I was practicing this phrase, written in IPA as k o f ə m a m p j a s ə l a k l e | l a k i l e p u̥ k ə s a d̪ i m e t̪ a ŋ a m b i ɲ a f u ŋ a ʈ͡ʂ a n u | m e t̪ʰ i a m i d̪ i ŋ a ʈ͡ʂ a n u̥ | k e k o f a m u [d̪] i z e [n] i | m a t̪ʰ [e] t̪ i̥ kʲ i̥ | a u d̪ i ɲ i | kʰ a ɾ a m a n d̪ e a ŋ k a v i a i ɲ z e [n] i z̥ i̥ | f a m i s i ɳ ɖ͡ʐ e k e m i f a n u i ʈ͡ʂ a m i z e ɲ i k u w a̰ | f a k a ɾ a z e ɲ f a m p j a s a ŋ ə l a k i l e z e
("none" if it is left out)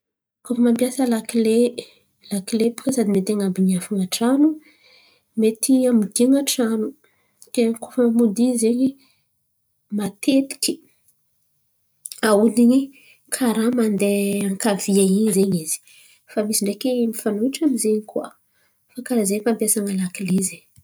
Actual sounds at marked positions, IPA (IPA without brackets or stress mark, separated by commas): d̪, ɲ, e, ɲ